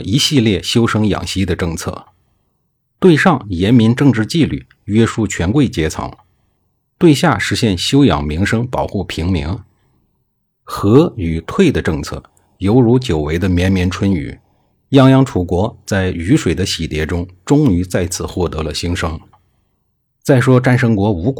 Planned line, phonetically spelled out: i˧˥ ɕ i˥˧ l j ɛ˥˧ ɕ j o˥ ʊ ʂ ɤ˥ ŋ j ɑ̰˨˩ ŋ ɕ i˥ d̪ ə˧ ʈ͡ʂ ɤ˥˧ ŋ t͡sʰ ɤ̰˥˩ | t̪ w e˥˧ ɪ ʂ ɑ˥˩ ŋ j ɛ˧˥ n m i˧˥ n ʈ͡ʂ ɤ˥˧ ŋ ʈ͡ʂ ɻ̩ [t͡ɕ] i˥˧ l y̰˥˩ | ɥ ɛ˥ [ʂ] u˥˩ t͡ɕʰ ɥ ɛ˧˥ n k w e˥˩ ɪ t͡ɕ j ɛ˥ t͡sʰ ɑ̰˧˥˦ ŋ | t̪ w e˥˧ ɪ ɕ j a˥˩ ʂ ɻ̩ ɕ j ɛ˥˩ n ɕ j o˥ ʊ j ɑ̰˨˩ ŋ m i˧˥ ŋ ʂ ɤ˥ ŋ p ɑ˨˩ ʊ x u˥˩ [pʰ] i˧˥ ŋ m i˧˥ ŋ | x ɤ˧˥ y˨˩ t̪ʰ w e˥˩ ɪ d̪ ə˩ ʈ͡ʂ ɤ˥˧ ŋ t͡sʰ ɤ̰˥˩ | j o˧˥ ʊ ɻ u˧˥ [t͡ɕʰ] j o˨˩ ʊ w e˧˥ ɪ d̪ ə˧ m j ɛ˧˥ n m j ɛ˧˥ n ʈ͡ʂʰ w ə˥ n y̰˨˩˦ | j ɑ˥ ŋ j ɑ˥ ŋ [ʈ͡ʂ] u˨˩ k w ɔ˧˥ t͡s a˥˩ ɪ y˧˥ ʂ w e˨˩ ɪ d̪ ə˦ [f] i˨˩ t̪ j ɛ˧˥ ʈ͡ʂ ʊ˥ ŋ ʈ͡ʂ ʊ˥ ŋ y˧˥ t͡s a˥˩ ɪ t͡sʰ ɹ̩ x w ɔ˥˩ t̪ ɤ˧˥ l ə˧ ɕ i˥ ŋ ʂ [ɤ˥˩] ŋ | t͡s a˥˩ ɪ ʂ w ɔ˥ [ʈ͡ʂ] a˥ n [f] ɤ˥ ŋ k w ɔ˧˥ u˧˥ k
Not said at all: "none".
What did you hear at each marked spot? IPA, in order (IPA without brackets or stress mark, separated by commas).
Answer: t͡ɕ, ʂ, pʰ, t͡ɕ, ʈ͡ʂʰ, ɕ, ɤ˥, ʈ͡ʂ, ʂ